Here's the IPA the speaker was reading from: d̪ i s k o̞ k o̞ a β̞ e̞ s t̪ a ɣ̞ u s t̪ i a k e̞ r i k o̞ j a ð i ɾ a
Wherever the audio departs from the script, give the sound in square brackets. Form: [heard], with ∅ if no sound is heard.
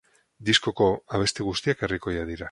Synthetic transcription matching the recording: d̪ i s k o̞ k o̞ a β̞ e̞ s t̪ [e] ɣ̞ u s t̪ i a k e̞ r i k o̞ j a ð i ɾ a